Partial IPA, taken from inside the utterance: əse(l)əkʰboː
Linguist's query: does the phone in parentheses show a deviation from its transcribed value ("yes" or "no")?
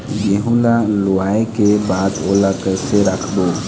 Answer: yes